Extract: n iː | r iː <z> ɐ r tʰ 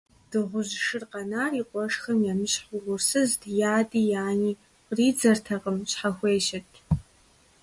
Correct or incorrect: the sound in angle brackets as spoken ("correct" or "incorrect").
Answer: incorrect